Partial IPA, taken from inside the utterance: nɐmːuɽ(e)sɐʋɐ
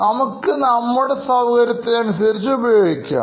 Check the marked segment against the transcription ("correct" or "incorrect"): correct